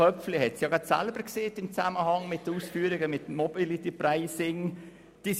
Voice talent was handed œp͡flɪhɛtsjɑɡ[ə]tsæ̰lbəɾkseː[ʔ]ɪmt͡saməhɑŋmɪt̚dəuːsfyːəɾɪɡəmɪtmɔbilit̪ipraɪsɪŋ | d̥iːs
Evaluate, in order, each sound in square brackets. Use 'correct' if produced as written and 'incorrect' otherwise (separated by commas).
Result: incorrect, incorrect